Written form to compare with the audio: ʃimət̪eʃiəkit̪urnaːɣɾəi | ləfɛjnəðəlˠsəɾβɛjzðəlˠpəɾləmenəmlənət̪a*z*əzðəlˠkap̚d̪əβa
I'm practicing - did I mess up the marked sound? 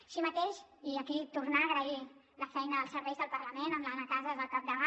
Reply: no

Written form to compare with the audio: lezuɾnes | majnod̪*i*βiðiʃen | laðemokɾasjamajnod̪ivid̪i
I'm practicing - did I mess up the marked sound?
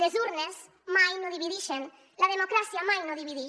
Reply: no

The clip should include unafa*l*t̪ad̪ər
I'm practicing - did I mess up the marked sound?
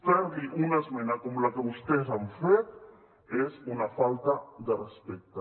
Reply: no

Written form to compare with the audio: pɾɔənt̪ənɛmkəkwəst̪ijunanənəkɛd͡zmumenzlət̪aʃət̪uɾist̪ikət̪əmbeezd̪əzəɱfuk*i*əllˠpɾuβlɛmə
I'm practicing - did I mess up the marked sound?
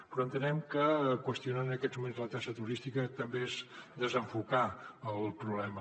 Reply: yes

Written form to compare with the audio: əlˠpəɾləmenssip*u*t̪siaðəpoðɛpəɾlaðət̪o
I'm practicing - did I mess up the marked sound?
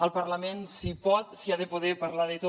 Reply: yes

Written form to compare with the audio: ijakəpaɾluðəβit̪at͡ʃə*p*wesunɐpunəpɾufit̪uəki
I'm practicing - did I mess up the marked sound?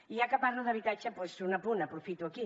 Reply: no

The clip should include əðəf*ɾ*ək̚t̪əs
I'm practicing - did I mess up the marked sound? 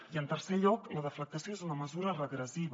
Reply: yes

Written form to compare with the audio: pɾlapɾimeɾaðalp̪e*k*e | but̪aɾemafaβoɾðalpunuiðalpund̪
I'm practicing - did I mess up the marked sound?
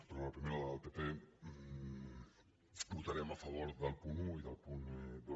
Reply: yes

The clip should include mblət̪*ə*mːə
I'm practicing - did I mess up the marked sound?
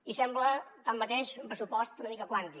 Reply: yes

